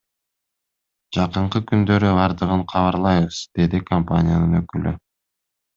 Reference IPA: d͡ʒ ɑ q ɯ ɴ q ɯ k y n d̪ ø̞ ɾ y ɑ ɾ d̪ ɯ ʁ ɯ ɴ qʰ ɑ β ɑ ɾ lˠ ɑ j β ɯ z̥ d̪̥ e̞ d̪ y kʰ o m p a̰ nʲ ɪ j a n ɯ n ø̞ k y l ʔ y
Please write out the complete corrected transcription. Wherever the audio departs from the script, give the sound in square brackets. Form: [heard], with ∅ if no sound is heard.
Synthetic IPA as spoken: d͡ʒ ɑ q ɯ ɴ q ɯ k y n d̪ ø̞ ɾ y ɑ ɾ d̪ ɯ ʁ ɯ ɴ qʰ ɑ β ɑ ɾ lˠ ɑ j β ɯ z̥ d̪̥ e̞ d̪ [i] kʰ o m p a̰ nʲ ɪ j a n ɯ n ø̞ k y l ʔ y